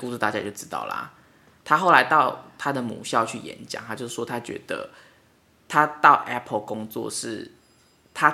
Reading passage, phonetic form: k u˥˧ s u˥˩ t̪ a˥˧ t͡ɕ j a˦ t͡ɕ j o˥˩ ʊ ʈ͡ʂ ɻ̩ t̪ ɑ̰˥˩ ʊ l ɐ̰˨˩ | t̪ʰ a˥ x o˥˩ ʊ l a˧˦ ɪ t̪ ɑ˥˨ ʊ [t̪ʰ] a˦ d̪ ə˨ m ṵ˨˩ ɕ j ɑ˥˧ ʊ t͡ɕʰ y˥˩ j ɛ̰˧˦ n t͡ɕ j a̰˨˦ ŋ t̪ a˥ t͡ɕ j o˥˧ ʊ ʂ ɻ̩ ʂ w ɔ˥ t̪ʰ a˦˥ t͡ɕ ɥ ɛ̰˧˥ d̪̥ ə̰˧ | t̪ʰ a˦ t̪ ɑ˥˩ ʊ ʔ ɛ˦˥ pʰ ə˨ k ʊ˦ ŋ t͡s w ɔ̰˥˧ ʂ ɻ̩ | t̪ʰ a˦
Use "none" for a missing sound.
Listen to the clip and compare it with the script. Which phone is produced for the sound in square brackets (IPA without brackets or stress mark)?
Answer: t̪ʰ